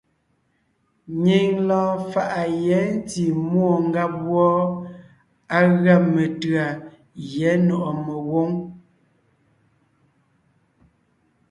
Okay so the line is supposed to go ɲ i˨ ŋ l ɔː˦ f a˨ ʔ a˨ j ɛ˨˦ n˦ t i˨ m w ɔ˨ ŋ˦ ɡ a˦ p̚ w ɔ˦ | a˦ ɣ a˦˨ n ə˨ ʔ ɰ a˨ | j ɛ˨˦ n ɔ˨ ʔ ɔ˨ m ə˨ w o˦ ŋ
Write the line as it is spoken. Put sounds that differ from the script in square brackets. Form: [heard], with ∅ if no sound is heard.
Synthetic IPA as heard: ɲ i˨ ŋ l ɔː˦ f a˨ ʔ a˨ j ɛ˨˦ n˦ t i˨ m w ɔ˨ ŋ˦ ɡ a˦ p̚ w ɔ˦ | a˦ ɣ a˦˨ [m] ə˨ [t] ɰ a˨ | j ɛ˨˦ n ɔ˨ ʔ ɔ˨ m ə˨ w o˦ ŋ